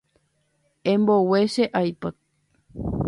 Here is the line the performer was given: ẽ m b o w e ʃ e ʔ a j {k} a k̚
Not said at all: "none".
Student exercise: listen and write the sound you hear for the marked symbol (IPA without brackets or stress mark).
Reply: p